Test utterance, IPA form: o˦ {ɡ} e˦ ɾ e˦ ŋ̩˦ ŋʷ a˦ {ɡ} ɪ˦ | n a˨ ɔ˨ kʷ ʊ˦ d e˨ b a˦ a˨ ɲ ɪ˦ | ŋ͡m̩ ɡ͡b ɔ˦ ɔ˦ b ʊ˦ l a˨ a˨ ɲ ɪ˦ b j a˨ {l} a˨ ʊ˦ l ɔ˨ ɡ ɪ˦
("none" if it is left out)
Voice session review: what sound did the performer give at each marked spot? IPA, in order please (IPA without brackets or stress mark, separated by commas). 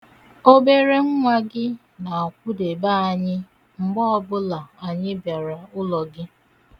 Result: b, ɡ, ɾ